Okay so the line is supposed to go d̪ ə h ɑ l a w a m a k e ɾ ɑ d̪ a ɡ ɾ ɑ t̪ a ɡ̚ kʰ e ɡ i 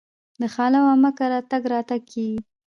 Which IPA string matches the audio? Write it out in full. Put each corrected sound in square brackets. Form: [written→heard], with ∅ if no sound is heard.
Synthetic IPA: d̪ ə [h→x] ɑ l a w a m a k [e→a] ɾ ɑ [d̪→t̪] a ɡ ɾ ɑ t̪ a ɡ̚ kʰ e ɡ i

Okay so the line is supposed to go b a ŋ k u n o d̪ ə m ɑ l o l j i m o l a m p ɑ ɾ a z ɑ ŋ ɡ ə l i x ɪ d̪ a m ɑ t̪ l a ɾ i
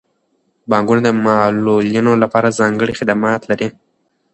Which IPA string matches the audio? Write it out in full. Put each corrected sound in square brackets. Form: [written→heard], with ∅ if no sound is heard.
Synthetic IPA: b [a→ɑ] ŋ [k→ɡ] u n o d̪ ə m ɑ l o l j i [m→n] o l a [m→∅] p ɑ ɾ a z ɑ ŋ ɡ ə [l→ɽ] i x ɪ d̪ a m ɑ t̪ l a ɾ i

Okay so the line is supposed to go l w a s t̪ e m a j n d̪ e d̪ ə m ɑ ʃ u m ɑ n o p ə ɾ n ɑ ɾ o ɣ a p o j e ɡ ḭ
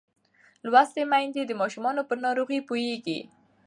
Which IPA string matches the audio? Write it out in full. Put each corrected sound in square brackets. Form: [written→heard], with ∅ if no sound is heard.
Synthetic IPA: l w a s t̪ e m a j n d̪ e d̪ ə m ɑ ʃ u m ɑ n o p ə ɾ n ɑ ɾ o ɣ [a→i] p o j e ɡ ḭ

